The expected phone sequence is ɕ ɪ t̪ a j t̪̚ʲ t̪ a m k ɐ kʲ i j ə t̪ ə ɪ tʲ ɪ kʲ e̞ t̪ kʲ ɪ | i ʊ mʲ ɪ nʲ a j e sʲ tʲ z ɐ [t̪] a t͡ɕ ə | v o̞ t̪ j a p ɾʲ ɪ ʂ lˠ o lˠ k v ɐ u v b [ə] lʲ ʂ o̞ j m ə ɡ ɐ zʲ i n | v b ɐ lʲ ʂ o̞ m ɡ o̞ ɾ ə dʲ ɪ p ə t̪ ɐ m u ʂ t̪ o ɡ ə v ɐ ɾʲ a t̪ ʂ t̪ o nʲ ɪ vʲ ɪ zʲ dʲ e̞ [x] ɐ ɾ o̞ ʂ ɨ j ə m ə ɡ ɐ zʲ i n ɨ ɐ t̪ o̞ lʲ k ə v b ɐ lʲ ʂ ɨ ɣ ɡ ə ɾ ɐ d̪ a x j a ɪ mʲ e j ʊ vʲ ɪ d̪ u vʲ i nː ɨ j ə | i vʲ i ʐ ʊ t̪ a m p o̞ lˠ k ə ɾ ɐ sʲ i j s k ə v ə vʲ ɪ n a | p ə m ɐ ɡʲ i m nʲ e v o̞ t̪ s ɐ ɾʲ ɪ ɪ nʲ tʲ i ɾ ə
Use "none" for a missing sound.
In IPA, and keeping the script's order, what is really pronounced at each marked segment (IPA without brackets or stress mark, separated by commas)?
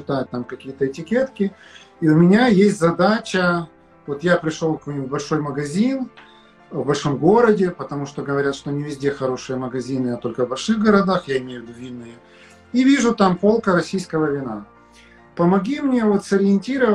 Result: d̪, ɐ, x